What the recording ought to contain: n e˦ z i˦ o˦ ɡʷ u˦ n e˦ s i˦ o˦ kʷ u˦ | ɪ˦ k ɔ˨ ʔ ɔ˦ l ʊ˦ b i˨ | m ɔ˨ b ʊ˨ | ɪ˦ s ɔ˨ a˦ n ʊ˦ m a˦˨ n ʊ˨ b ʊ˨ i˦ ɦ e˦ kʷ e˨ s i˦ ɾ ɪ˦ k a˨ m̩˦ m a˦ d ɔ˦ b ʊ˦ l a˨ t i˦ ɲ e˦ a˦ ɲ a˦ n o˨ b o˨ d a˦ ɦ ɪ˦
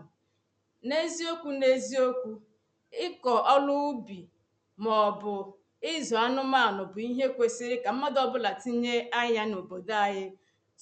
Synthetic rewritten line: n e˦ z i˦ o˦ kʷ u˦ n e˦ z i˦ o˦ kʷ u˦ | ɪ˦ k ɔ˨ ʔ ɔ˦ l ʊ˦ b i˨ | m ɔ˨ b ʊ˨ | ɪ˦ z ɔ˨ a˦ n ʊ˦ m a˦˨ n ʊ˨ b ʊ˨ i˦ ɦ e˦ kʷ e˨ s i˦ ɾ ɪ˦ k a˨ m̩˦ m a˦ d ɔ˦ b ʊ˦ l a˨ t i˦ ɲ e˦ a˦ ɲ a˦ n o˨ b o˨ d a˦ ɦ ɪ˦